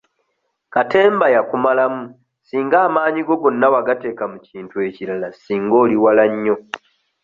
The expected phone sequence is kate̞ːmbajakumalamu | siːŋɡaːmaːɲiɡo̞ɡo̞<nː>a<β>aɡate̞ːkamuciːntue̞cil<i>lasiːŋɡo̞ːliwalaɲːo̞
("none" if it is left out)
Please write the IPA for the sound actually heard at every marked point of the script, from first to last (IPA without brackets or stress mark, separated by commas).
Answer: nː, w, a